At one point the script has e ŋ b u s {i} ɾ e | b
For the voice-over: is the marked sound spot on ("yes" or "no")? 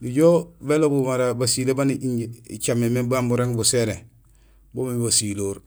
no